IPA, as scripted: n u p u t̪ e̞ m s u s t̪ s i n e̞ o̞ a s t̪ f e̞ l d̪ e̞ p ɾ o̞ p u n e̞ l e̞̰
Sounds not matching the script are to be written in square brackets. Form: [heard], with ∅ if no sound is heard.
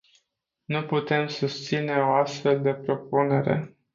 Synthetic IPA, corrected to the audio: n u p u t̪ e̞ m s u s t̪ s i n e̞ o̞ a s t̪ f e̞ l d̪ e̞ p ɾ o̞ p u n e̞ [ɾ] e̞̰